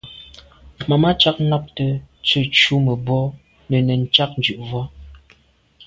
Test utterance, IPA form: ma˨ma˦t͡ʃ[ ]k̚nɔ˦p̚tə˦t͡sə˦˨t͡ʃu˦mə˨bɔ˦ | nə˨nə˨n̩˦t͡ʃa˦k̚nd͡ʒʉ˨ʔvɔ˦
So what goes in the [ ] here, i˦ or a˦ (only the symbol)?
a˦